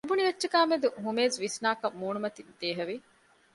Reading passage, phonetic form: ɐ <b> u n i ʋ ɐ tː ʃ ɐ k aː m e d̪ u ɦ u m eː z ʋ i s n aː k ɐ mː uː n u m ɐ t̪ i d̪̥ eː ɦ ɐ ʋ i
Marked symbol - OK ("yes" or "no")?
yes